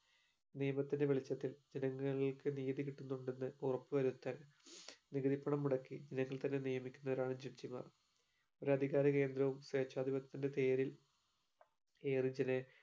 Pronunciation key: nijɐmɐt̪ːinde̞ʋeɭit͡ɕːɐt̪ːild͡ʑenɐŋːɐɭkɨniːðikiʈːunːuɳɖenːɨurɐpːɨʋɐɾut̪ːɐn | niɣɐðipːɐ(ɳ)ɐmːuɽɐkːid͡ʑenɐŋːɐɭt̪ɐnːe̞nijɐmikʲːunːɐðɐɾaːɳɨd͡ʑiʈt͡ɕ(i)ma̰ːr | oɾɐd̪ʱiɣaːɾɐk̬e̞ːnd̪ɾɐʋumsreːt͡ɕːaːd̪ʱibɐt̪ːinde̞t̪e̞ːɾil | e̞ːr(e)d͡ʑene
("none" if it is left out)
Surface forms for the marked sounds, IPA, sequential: ɳ, i, i

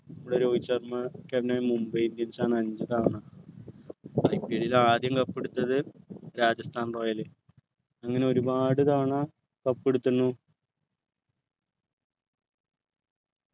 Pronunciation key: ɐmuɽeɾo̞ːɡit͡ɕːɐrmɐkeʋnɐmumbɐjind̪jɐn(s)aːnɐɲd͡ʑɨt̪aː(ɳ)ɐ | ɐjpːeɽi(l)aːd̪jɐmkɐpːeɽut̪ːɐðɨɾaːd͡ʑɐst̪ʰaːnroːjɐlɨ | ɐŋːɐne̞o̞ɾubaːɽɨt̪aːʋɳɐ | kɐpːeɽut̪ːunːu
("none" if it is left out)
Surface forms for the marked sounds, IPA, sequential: s, ɳ, l

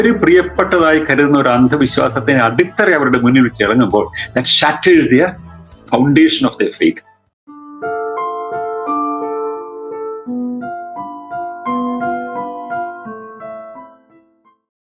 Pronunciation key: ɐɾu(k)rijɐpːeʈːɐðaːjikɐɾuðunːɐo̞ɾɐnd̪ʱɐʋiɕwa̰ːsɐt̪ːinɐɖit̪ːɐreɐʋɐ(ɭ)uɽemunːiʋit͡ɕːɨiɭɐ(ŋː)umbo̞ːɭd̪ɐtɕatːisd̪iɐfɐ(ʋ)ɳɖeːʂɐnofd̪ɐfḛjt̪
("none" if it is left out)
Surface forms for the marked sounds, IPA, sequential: p, ɾ, ŋː, w

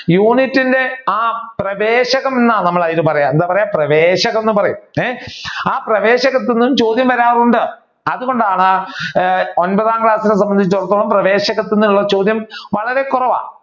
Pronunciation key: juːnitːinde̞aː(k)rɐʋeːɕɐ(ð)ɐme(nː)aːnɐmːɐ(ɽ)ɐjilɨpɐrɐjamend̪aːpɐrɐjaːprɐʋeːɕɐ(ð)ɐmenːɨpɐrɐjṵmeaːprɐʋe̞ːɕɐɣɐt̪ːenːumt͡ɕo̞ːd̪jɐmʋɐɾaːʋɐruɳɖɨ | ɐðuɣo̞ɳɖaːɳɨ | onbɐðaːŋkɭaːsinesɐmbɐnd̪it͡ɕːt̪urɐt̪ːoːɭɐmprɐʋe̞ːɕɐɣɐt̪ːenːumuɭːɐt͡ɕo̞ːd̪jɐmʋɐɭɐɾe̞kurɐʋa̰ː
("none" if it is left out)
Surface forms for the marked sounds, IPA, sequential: p, ɣ, nː, ɭ, ɣ

